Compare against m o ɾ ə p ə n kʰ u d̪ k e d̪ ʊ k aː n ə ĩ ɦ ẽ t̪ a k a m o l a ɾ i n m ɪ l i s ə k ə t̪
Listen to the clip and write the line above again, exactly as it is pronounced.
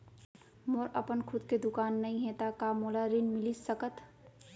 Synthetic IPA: m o ɾ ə p ə n kʰ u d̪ k e d̪ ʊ k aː nː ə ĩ ɦ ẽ t̪ a k a m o l a ɾ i n m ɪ l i s ə k ə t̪